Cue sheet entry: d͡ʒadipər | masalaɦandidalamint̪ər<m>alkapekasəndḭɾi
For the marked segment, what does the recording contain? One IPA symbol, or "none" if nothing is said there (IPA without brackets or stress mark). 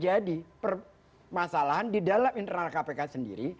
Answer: n